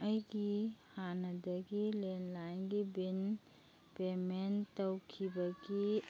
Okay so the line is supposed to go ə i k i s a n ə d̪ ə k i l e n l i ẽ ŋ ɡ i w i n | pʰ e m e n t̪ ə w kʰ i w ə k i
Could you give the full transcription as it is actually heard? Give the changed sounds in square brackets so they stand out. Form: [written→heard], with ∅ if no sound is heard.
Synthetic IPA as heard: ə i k i [s→h] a n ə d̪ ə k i l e n l [i→a] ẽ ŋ ɡ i [w→b] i n | [pʰ→p] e m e n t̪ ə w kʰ i [w→b] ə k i